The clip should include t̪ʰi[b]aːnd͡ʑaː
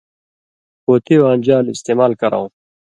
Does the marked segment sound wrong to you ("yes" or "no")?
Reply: yes